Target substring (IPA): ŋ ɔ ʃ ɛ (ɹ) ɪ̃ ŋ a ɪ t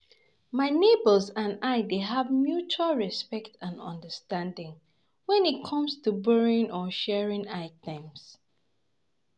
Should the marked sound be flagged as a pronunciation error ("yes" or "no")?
no